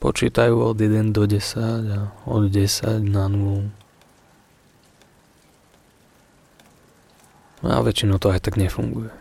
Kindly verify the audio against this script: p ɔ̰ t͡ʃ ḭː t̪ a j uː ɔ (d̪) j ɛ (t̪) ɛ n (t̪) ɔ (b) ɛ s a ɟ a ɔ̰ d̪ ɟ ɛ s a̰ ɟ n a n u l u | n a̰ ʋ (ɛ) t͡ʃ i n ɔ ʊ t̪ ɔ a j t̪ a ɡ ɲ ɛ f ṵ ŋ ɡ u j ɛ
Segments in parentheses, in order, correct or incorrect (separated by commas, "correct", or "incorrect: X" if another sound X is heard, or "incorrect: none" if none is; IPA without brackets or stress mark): correct, incorrect: d̪, incorrect: d̪, incorrect: ɟ, correct